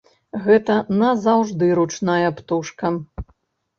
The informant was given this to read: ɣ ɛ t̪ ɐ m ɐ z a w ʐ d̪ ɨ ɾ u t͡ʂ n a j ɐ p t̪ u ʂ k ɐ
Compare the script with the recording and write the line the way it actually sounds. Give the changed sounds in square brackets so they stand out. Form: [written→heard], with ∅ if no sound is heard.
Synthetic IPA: ɣ ɛ t̪ ɐ [m→n] ɐ z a w ʐ d̪ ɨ ɾ u t͡ʂ n a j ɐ p t̪ u ʂ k ɐ